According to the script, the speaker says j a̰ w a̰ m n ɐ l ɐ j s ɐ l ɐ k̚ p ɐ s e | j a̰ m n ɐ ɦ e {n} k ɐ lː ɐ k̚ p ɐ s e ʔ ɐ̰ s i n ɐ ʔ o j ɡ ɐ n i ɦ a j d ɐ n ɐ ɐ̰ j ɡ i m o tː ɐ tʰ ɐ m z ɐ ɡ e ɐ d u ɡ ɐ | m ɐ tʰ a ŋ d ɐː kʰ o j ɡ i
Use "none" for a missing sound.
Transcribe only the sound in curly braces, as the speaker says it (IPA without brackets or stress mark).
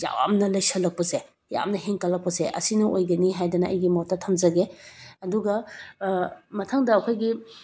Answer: ŋ